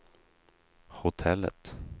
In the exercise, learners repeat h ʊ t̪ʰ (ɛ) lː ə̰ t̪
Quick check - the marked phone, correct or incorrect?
correct